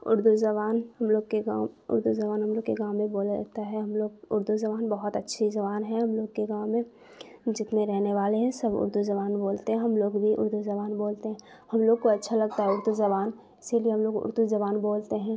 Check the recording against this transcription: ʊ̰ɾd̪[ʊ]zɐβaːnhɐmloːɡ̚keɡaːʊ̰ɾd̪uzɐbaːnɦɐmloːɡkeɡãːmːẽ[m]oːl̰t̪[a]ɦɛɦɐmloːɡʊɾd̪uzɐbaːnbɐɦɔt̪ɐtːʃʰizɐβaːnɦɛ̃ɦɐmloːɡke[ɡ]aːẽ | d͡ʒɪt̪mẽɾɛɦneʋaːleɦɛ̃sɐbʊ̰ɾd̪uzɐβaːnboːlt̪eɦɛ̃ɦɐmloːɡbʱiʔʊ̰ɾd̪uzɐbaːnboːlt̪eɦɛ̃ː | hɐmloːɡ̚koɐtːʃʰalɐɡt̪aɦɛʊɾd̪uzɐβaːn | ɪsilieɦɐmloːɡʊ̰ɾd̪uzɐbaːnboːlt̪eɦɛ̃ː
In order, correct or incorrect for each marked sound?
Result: incorrect, incorrect, correct, correct

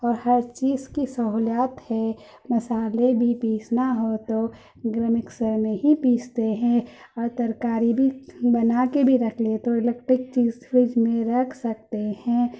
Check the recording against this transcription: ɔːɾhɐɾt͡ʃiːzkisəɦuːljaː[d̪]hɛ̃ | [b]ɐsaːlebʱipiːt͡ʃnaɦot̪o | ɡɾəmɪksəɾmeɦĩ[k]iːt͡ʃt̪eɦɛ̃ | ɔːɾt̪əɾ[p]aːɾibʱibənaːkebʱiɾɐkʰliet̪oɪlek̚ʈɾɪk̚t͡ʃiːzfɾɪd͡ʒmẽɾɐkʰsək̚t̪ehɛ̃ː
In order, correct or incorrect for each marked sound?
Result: incorrect, incorrect, incorrect, incorrect

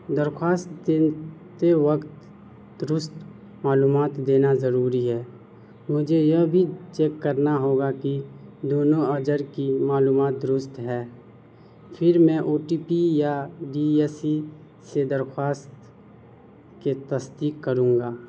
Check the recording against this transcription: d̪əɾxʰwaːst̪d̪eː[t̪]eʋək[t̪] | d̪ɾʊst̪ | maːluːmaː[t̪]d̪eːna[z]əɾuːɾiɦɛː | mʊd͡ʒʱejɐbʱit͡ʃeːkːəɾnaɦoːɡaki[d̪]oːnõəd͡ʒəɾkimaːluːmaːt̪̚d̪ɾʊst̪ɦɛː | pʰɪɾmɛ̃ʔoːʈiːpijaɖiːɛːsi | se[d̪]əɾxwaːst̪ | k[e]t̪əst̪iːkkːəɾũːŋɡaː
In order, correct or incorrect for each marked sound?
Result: correct, correct, correct, correct, correct, correct, correct

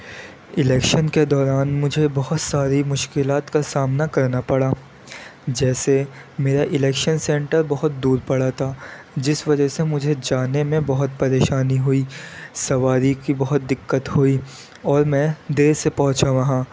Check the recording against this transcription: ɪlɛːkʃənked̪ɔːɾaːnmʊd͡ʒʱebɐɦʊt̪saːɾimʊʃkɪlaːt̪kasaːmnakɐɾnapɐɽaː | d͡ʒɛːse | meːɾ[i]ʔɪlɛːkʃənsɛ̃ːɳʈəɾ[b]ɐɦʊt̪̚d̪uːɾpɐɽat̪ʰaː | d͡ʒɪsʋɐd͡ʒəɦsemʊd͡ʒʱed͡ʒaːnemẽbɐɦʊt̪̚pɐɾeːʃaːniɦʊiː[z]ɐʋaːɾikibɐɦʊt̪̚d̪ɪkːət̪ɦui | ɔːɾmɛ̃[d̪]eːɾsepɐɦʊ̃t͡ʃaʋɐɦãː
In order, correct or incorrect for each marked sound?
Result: incorrect, correct, incorrect, correct

